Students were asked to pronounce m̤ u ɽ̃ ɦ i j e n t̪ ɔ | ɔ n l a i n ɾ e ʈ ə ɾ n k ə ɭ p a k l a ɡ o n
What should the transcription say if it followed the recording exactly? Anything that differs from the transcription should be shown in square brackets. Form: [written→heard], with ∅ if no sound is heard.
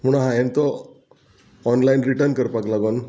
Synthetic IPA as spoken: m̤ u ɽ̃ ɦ [i→a] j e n t̪ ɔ | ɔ n l a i n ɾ [e→i] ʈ ə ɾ n k ə [ɭ→ɾ] p a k l a ɡ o n